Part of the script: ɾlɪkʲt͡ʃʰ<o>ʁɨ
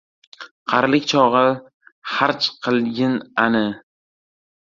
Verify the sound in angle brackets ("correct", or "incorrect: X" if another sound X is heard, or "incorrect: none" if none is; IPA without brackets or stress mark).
incorrect: ɒ